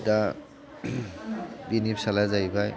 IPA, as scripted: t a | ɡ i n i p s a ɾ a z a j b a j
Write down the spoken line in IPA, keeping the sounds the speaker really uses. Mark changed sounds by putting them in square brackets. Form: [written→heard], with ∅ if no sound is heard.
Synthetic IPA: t a | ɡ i n i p s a [ɾ→l] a z a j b a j